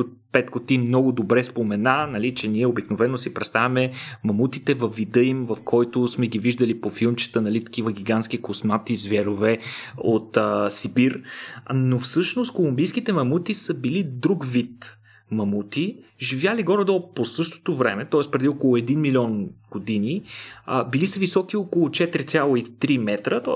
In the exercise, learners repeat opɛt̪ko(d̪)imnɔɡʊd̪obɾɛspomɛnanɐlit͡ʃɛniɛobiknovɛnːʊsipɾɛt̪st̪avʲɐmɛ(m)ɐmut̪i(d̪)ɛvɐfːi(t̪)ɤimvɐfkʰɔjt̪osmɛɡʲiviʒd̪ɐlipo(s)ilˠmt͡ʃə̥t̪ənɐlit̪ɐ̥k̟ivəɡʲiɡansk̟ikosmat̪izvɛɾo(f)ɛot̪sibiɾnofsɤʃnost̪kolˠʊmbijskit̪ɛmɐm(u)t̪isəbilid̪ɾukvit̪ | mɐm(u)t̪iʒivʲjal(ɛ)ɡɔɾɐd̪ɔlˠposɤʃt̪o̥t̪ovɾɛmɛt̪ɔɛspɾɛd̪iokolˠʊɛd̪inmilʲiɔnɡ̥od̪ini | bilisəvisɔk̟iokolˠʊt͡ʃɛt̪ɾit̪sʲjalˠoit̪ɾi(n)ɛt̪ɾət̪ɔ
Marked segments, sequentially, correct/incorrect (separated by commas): incorrect, correct, incorrect, incorrect, incorrect, incorrect, correct, correct, incorrect, incorrect